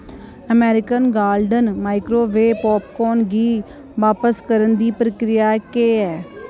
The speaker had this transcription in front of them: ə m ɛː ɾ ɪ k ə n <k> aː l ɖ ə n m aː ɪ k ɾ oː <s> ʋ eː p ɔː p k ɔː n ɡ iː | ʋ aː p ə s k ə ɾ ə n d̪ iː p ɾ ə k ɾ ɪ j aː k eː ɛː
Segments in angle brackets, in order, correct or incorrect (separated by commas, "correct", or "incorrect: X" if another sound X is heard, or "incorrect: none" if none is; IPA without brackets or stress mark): incorrect: ɡ, incorrect: none